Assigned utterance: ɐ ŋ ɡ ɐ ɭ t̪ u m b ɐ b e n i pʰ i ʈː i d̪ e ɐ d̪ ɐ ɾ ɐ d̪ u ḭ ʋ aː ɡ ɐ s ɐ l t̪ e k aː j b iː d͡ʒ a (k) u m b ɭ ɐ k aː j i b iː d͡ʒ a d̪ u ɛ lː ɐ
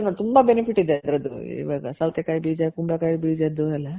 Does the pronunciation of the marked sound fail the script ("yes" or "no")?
no